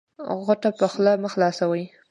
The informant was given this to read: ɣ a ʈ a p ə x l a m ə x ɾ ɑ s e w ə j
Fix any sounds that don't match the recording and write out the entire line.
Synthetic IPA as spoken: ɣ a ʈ a p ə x l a m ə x l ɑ s a w ə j